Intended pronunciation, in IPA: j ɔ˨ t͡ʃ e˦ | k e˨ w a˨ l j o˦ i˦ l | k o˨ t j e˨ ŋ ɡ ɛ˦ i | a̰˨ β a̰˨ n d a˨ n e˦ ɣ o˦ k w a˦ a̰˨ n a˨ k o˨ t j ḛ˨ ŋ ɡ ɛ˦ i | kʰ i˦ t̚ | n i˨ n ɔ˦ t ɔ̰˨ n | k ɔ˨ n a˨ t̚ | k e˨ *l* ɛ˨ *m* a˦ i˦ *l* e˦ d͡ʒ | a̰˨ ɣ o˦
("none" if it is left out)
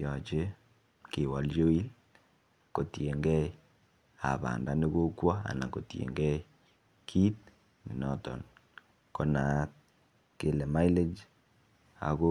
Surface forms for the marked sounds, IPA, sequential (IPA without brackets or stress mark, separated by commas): l, m, l